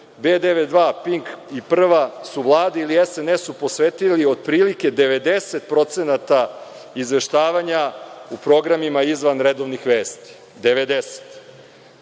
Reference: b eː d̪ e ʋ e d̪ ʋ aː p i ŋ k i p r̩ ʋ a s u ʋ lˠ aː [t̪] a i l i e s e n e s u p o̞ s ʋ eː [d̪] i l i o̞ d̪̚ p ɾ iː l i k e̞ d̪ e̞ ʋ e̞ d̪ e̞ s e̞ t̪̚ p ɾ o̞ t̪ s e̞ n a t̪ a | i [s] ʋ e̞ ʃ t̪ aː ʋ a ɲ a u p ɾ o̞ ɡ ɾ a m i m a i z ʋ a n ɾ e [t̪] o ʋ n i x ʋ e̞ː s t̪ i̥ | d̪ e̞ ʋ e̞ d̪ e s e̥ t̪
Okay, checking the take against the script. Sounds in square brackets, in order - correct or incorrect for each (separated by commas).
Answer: incorrect, incorrect, incorrect, incorrect